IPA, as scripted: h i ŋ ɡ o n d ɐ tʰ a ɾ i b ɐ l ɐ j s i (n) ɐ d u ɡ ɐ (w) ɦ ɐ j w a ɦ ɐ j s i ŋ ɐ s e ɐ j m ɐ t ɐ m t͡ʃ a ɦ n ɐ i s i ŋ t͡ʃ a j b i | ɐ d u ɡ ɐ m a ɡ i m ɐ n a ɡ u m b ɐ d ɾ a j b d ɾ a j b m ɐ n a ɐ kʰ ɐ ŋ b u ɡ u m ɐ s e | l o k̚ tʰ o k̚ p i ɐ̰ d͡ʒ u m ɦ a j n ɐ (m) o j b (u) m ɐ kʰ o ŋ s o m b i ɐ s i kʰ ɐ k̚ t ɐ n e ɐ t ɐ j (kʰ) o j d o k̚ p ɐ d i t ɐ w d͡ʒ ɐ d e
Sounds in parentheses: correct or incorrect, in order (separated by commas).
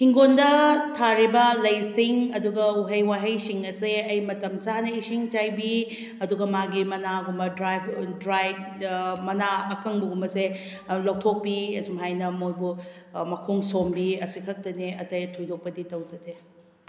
incorrect, incorrect, correct, correct, incorrect